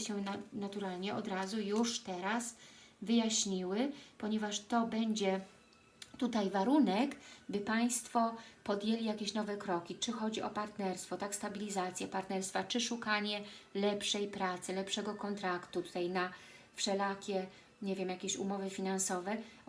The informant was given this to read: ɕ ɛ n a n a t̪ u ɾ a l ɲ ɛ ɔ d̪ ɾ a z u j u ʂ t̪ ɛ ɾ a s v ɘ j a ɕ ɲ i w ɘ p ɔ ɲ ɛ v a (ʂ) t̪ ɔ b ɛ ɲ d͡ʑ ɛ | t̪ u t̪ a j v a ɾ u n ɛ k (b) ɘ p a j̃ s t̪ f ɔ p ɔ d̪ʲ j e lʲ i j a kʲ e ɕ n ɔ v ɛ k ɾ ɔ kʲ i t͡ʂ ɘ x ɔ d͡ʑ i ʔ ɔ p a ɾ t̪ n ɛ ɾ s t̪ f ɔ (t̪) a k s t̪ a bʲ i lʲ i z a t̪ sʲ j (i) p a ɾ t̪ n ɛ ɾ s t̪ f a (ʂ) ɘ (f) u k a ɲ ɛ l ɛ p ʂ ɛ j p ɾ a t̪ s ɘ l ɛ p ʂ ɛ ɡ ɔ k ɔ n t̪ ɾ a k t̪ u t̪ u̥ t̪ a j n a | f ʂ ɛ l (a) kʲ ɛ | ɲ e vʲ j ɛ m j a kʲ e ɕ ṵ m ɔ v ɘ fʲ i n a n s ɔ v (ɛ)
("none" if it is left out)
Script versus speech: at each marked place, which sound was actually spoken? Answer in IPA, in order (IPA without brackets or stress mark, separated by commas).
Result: ʂ, b, t̪, ɛ, t͡ʂ, ʂ, a, ɛ